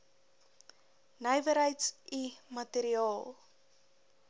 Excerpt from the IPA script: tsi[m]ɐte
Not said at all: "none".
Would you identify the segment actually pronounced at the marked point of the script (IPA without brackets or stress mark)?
m